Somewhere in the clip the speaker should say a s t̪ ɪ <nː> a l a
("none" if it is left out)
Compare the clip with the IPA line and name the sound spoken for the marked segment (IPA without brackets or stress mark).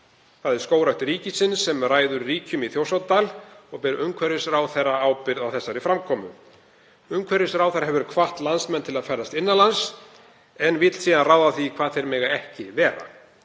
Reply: nː